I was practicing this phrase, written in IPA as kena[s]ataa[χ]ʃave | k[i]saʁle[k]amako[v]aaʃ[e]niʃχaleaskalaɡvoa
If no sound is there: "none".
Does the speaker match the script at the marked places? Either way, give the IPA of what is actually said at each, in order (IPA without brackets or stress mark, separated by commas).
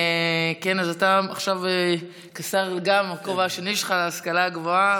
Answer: z, χ, a, ɡ, v, e